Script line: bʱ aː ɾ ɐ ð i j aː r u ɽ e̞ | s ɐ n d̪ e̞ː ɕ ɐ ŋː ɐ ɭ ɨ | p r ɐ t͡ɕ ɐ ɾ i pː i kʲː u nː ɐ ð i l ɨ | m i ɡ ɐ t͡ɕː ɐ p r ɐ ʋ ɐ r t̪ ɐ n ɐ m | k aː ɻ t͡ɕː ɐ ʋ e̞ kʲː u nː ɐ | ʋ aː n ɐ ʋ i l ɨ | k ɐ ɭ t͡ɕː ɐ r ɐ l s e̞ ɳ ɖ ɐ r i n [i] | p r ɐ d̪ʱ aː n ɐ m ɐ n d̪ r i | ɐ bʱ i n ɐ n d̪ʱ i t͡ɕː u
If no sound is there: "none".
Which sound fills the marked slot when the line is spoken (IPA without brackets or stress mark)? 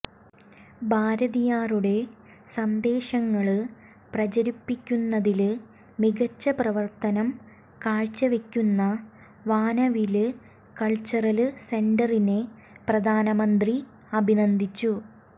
e